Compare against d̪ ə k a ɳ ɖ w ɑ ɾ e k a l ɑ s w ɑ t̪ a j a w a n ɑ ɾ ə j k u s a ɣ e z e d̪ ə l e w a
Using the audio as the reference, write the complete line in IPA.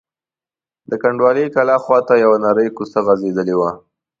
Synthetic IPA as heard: d̪ ə k a ɳ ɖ w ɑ l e k a l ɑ x w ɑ t̪ a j a w a n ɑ ɾ ə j k u s a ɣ a z e d̪ ə l e w a